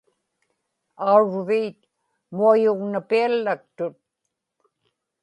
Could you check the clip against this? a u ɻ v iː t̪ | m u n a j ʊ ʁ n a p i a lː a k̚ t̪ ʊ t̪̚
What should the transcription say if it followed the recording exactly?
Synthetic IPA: a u ɻ v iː t̪ | m u a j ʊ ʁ n a p i a lː a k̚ t̪ ʊ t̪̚

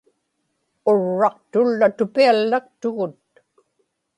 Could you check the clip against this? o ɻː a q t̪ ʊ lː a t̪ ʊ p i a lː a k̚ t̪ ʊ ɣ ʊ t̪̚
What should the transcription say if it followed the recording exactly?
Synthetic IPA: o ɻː ɑ q t̪ ʊ lː a t̪ ʊ p i a lː a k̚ t̪ ʊ ɣ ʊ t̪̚

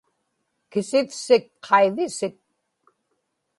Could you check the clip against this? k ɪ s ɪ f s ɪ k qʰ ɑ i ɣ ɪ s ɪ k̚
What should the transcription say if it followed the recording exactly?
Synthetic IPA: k ɪ s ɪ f s ɪ k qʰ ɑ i ð ɪ s ɪ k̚

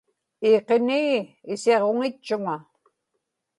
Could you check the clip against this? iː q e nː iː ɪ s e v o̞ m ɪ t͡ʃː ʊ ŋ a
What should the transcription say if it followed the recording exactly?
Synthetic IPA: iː q e n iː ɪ s e ʁ o̞ ŋ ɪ t͡ʃː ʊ ŋ a

